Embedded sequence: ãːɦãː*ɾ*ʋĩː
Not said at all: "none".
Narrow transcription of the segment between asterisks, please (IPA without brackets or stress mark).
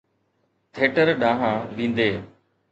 none